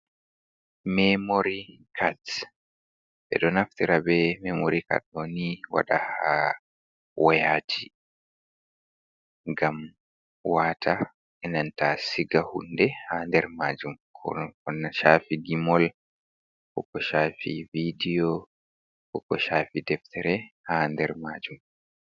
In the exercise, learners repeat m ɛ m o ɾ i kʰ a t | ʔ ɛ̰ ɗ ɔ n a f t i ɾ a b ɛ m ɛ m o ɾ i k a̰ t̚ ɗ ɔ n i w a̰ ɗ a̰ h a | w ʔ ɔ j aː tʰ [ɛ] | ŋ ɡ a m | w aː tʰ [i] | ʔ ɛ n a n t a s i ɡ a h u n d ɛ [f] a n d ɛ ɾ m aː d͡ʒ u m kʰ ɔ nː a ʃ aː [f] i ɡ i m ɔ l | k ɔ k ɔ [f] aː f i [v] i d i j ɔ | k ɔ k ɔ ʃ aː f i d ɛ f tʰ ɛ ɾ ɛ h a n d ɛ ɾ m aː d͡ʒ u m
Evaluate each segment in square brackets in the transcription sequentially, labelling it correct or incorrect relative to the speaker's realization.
incorrect, incorrect, incorrect, correct, incorrect, correct

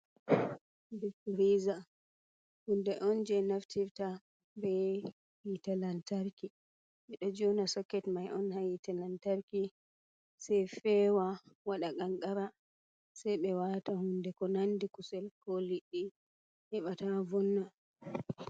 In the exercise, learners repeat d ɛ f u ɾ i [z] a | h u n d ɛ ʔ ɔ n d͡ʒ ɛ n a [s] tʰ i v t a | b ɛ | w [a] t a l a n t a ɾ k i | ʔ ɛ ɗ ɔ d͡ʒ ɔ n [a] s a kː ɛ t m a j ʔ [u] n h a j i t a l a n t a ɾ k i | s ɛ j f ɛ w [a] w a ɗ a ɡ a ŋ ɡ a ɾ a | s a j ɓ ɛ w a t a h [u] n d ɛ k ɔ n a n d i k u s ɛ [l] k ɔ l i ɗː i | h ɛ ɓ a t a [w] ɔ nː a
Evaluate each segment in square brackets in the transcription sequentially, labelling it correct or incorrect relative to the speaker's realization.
correct, incorrect, incorrect, correct, incorrect, correct, correct, correct, incorrect

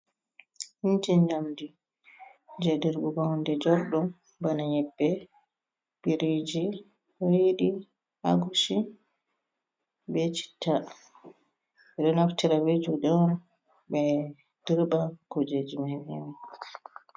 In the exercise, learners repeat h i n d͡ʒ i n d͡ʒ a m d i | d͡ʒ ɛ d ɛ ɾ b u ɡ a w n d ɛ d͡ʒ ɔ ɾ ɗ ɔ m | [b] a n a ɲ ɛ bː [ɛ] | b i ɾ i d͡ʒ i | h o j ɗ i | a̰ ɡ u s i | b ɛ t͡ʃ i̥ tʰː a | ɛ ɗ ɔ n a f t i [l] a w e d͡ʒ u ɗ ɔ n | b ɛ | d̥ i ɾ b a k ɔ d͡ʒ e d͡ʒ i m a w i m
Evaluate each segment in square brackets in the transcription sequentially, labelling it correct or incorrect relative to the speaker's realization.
correct, correct, incorrect

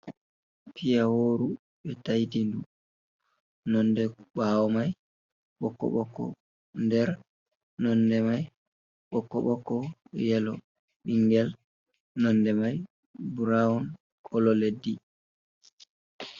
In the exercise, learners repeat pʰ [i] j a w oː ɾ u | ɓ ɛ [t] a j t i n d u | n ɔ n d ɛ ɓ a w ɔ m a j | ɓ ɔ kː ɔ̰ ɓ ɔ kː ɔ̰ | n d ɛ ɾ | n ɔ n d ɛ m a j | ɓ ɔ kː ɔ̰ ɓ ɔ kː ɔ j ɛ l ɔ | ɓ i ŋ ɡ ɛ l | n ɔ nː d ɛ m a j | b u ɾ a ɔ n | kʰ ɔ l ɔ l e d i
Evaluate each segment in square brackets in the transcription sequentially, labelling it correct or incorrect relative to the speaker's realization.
correct, correct

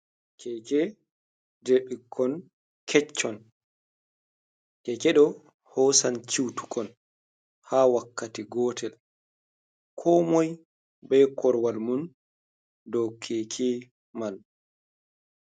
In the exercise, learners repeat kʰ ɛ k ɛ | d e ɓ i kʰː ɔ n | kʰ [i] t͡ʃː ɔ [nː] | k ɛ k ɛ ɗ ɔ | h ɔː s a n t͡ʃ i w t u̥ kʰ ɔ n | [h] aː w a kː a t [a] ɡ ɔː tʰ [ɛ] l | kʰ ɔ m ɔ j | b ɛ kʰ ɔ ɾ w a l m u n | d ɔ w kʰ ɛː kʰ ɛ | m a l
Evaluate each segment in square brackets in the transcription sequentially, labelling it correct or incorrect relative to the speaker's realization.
incorrect, incorrect, correct, incorrect, correct

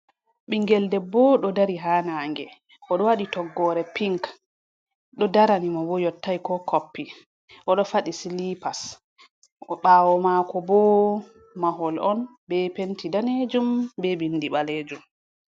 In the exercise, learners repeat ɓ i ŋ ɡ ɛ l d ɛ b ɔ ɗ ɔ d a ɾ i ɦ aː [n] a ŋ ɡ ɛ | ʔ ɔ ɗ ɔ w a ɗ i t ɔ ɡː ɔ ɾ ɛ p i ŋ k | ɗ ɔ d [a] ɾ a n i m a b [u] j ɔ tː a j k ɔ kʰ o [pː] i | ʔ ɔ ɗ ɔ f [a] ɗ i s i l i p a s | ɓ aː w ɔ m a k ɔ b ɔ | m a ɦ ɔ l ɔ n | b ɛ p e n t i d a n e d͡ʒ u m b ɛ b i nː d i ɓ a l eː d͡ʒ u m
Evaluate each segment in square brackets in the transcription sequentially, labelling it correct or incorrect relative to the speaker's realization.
correct, correct, incorrect, correct, correct

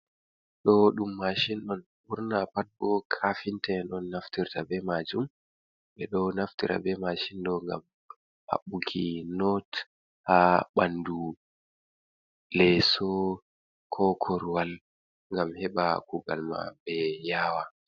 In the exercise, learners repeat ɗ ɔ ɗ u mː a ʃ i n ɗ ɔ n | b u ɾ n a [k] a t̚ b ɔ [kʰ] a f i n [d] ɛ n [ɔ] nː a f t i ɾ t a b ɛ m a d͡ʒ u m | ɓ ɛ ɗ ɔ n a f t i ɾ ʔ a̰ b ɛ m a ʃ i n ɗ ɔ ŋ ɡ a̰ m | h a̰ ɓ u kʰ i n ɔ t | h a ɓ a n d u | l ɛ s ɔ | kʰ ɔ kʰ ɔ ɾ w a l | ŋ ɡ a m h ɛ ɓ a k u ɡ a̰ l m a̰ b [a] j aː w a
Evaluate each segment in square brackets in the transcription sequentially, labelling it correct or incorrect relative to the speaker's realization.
incorrect, correct, incorrect, correct, incorrect

